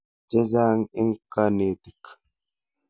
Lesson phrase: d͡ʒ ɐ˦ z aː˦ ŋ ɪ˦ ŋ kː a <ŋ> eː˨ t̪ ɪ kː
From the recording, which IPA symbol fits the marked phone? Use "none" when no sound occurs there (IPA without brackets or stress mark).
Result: n